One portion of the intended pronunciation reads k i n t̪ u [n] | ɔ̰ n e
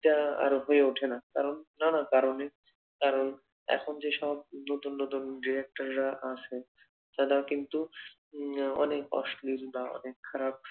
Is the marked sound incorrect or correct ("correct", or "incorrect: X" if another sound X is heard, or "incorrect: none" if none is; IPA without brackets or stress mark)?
incorrect: none